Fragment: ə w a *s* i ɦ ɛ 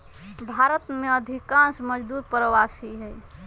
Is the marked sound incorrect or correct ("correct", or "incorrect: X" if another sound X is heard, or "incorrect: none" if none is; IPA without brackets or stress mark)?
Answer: correct